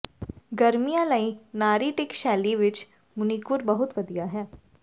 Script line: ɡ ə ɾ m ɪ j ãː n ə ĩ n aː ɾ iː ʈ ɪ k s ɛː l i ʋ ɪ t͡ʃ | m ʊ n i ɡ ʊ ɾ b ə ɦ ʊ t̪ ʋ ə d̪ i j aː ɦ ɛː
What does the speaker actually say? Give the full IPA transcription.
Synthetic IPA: ɡ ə ɾ m i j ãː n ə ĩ n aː ɾ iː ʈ ɪ k ʃ ɛː l i ʋ ɪ t͡ʃ | m ʊ n i k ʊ ɾ b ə ɦ ʊ t̪ ʋ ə d̪ i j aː ɦ ɛː